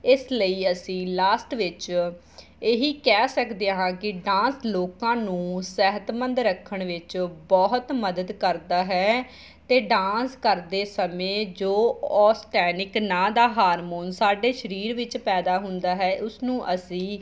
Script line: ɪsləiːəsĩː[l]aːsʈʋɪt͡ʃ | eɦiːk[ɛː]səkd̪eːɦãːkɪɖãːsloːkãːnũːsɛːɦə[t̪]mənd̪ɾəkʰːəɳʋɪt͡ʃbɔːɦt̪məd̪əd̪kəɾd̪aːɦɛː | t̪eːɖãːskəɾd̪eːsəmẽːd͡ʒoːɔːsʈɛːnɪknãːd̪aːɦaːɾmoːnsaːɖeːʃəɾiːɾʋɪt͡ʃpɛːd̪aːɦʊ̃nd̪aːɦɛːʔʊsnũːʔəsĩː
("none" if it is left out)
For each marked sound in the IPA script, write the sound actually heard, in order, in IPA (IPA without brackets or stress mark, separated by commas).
l, ɛː, t̪